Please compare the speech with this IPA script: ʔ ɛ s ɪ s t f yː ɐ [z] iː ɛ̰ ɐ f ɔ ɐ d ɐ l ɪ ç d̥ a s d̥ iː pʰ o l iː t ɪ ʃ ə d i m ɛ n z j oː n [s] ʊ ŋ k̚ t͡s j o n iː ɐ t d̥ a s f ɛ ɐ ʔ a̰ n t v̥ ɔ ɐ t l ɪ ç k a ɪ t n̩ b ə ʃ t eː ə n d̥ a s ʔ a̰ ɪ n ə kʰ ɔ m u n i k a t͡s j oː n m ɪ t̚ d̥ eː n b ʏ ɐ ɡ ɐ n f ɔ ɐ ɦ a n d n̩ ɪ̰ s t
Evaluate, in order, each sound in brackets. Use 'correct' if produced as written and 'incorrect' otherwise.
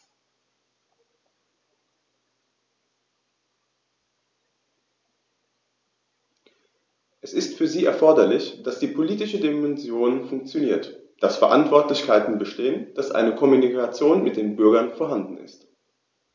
correct, incorrect: f

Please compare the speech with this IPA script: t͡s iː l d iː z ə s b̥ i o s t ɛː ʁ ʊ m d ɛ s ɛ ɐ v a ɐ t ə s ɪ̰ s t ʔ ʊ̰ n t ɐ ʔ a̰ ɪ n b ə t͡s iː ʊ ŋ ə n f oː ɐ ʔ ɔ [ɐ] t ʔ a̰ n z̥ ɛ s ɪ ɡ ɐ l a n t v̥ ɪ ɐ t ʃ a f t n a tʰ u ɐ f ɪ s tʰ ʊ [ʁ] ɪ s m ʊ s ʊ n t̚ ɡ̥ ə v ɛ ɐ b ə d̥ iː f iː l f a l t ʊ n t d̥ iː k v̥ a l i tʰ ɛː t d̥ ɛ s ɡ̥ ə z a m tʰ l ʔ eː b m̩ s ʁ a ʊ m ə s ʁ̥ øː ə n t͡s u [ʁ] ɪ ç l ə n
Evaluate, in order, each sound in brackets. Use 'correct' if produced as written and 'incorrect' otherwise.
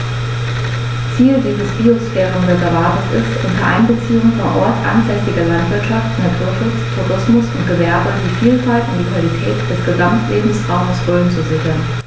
correct, correct, incorrect: z

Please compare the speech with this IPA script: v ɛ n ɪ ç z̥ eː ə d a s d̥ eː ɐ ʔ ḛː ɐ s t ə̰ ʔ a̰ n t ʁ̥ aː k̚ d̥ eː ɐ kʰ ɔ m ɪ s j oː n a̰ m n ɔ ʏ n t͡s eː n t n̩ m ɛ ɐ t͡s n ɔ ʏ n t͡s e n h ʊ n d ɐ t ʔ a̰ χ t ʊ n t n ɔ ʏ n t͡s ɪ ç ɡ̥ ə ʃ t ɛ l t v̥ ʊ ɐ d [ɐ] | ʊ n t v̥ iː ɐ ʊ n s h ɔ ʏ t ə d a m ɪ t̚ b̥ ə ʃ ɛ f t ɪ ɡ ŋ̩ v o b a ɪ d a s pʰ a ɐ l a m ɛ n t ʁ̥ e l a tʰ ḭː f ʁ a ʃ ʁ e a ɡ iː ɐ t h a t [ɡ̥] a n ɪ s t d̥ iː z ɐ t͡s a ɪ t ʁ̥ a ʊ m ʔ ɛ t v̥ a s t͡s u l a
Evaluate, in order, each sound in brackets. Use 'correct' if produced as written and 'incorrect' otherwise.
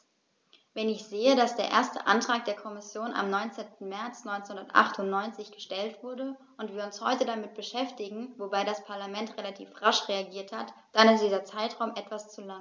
incorrect: ə, incorrect: d̥

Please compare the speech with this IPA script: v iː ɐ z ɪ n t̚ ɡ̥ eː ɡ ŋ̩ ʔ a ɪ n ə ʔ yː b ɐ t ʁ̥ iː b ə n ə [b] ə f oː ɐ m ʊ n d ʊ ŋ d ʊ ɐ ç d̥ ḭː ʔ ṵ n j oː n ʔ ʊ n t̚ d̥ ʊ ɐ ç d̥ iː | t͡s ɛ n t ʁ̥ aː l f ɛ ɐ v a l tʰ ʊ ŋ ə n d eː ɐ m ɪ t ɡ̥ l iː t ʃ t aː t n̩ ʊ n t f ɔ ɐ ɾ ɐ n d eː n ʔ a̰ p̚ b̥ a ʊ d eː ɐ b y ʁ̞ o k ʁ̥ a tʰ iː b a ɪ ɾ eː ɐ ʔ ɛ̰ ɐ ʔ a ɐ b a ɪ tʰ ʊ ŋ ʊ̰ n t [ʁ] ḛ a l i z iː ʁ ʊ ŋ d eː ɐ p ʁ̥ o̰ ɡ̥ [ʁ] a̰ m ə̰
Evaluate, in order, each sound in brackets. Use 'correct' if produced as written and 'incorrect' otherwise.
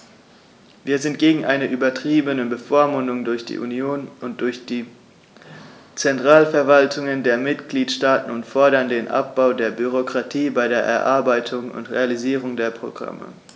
correct, correct, correct

